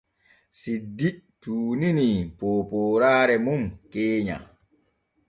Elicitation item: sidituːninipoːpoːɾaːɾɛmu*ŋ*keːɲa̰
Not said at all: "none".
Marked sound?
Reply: m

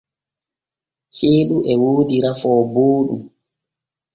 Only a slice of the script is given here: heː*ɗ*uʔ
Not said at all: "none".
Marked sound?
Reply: ɗ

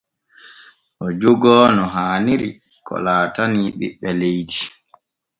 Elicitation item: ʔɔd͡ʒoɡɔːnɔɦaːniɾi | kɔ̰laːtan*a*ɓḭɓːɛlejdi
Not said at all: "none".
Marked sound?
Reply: i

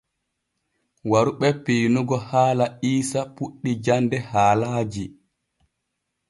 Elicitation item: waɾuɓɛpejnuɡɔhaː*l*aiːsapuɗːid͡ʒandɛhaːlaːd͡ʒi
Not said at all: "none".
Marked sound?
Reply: l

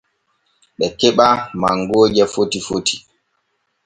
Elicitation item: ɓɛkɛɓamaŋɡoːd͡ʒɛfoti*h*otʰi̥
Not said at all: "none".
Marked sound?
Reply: f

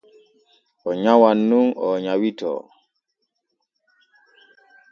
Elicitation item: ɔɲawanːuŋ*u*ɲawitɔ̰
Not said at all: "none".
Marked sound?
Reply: ɔ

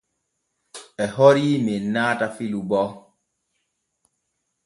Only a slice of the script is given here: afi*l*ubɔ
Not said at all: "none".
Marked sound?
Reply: l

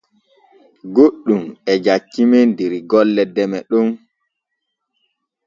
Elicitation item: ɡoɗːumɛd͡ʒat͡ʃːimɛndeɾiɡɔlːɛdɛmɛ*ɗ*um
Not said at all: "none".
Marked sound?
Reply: ɗ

